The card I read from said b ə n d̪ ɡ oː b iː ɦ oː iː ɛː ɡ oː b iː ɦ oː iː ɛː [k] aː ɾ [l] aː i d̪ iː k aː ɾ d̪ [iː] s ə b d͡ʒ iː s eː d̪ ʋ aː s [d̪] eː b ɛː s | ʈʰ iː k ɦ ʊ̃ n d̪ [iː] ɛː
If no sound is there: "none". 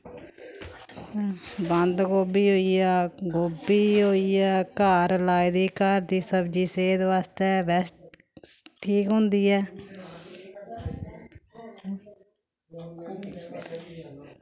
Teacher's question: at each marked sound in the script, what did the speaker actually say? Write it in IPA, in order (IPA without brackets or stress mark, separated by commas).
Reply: k, l, iː, t̪, iː